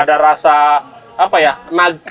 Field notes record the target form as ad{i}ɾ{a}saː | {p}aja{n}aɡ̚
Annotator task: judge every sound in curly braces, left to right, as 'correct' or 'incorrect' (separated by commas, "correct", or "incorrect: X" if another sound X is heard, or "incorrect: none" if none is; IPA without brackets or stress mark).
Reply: incorrect: a, correct, correct, correct